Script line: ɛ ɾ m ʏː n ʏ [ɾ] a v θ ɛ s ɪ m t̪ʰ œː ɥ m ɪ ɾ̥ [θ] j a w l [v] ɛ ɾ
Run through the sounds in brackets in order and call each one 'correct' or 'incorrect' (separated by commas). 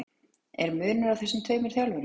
correct, correct, correct